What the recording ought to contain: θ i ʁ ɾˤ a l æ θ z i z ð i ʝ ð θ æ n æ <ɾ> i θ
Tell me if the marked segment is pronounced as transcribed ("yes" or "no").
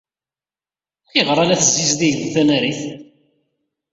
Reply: yes